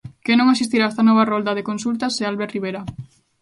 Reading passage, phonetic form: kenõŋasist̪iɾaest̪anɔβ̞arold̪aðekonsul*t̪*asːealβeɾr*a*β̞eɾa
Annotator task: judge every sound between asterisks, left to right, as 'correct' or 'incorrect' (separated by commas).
correct, incorrect